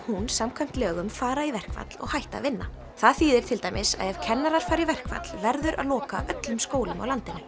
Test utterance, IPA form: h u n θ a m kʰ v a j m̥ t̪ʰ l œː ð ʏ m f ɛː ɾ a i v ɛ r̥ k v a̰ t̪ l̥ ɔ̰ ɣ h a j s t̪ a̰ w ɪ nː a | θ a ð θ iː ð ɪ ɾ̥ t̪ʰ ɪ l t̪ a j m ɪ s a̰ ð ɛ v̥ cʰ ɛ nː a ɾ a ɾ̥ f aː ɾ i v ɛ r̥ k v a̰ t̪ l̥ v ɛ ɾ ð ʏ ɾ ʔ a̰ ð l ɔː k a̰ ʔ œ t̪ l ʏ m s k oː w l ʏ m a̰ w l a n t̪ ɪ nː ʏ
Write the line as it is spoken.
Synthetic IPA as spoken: h u n s a m kʰ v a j m̥ t̪ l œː ɣ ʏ m f aː ɾ a i v ɛ r̥ k v a̰ t̪ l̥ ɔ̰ ɣ h a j h t̪ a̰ v ɪ nː a | θ a ð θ iː ð ɪ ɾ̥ t̪ʰ ɪ l t̪ a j m ɪ s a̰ ð ɛ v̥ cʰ ɛ nː a ɾ a ɾ̥ f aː ɾ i v ɛ r̥ k v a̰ t̪ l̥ v ɛ ɾ ð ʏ ɾ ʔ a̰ ð l ɔː k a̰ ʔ œ t̪ l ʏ m s k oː w l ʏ m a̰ w l a n t̪ ɪ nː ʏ